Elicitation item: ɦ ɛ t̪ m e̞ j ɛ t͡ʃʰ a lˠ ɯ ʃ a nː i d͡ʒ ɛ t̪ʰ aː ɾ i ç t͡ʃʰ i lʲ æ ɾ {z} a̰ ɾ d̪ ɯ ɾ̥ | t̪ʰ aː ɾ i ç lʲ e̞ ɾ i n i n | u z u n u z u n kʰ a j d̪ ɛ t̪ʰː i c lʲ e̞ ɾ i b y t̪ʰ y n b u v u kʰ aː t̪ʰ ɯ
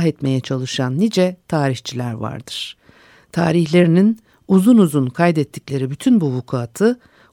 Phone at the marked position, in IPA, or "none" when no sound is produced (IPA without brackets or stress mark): v